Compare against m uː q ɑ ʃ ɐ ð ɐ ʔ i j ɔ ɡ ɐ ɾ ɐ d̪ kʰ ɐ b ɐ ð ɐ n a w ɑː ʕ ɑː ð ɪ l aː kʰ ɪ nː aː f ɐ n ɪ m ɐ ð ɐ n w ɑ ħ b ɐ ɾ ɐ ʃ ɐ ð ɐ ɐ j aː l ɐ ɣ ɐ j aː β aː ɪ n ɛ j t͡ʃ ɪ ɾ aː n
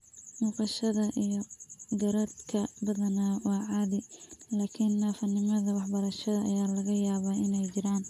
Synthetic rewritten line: m uː q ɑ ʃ ɐ ð ɐ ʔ i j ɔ ɡ ɐ ɾ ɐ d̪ kʰ ɐ b ɐ ð ɐ n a w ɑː ʕ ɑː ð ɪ l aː kʰ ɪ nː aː f ɐ n ɪ m ɐ ð ɐ w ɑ ħ b ɐ ɾ ɐ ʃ ɐ ð ɐ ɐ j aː l ɐ ɣ ɐ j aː β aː ɪ n ɛ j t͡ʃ ɪ ɾ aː n